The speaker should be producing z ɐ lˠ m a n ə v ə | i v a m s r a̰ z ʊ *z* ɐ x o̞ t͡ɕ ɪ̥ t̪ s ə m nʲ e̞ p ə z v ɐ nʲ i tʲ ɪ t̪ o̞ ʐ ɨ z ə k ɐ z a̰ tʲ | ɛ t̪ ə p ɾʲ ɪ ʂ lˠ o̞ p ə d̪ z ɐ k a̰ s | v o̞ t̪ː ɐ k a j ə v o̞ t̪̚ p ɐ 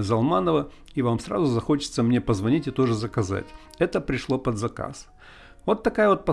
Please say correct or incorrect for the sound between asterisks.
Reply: correct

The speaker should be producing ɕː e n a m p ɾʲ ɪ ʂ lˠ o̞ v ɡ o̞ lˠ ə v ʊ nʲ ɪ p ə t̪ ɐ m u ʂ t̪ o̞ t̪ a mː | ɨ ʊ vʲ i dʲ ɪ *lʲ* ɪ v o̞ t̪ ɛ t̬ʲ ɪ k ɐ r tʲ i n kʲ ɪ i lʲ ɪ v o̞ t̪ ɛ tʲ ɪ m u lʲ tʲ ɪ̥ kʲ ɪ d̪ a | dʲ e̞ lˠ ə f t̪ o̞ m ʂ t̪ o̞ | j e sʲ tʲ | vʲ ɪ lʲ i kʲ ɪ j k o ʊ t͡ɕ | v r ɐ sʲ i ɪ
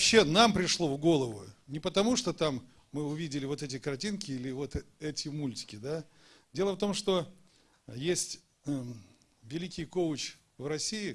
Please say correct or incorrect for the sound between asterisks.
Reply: correct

